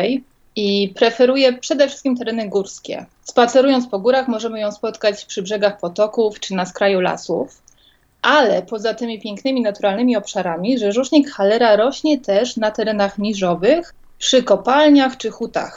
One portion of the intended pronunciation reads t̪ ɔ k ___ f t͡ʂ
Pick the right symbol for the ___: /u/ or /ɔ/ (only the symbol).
u